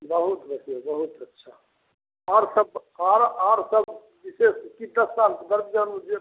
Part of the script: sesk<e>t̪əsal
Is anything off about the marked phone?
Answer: yes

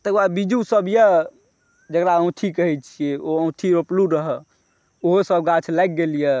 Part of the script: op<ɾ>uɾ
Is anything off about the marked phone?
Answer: yes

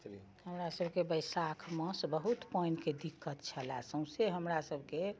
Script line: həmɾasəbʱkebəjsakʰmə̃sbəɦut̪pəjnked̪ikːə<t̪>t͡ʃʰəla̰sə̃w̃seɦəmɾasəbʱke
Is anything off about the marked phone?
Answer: no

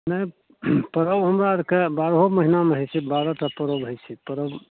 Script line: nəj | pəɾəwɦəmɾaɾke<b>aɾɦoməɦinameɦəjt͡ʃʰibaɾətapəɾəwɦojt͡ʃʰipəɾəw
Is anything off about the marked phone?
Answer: no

